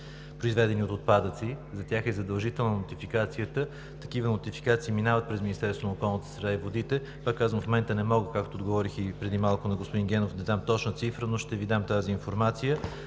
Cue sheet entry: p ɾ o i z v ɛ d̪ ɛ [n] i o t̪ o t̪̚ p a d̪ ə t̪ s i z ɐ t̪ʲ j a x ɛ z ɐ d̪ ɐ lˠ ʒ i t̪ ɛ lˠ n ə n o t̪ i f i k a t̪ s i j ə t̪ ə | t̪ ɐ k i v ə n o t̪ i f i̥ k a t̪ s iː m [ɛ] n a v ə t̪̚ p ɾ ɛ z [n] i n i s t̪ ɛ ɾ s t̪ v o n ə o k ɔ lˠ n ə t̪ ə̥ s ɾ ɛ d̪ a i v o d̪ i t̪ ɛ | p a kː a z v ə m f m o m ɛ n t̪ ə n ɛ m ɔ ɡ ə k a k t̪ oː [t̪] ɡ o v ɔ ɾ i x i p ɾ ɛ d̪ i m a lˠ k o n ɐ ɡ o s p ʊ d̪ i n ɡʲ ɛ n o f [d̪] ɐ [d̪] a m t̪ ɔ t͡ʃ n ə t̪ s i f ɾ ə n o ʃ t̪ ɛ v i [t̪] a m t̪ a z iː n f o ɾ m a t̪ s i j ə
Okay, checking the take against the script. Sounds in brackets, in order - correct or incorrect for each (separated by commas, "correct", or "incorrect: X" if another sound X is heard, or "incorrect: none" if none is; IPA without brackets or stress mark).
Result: correct, incorrect: i, incorrect: m, incorrect: d̪, correct, correct, incorrect: d̪